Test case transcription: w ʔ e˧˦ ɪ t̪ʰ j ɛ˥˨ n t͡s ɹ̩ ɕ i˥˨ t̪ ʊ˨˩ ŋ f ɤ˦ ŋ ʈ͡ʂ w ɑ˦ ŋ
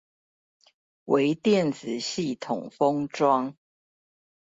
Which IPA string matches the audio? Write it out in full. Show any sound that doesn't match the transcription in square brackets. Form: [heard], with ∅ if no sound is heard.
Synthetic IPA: w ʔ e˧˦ ɪ [t̪] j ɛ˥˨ n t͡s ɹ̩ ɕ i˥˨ [t̪ʰ] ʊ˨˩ ŋ f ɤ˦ ŋ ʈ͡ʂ w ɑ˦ ŋ